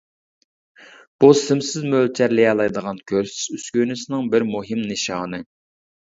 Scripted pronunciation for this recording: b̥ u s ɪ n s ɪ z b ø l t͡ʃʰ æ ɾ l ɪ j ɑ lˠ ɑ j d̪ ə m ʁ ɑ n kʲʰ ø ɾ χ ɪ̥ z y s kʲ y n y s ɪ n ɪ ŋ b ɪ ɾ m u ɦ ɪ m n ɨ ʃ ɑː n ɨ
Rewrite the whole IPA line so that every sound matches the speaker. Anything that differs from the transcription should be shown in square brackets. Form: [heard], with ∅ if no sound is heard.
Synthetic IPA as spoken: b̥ u s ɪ [m] s ɪ z [m] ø l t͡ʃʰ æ ɾ l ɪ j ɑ lˠ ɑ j d̪ ə [∅] ʁ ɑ n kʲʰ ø ɾ [s] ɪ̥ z y s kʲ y n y s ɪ n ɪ ŋ b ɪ ɾ m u ɦ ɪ m n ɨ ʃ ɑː n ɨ

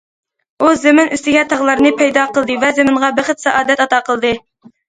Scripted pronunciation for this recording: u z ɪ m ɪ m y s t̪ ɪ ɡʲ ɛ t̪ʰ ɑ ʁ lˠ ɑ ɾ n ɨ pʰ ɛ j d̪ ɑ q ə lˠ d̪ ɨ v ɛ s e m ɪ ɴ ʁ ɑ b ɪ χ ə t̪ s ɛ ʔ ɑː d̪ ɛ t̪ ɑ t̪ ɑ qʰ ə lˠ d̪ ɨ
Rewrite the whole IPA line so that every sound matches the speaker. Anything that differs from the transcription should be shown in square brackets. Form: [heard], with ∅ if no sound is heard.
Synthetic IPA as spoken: u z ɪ m ɪ [n] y s t̪ ɪ ɡʲ ɛ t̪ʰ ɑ ʁ lˠ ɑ ɾ n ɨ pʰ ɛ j d̪ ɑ q ə lˠ d̪ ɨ v ɛ [z] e m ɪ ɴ ʁ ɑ b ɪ χ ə t̪ s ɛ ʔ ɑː d̪ ɛ t̪ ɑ t̪ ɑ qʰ ə lˠ d̪ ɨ

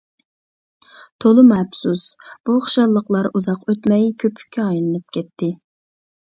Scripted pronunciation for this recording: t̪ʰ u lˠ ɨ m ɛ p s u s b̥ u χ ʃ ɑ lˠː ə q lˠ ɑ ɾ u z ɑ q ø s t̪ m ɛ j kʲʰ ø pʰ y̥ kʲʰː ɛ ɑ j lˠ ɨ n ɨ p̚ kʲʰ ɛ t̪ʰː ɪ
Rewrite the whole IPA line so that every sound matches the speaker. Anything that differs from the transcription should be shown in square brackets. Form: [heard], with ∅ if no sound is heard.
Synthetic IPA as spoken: t̪ʰ [o] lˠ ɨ m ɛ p s u s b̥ u χ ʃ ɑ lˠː ə q lˠ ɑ ɾ u z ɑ q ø [∅] t̪ m ɛ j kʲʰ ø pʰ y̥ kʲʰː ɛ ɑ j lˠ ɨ n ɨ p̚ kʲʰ ɛ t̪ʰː ɪ

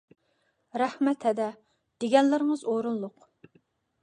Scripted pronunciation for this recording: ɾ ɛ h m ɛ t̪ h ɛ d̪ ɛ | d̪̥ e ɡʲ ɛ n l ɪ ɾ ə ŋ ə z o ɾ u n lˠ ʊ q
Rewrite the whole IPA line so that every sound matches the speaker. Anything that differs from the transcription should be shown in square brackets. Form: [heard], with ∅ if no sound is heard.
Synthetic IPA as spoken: ɾ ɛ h m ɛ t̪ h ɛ d̪ ɛ | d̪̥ e ɡʲ ɛ n l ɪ ɾ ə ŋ ə z o ɾ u n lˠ ʊ q

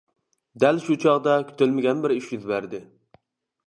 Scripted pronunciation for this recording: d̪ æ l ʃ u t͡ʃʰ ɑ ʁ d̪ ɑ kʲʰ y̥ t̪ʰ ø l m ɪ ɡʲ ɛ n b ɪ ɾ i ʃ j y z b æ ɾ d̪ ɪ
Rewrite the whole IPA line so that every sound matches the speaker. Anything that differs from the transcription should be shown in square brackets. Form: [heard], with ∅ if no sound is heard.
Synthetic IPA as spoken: d̪ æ l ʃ u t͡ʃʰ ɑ ʁ d̪ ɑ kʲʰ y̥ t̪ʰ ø l m ɪ ɡʲ ɛ n b ɪ ɾ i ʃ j y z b æ ɾ d̪ ɪ

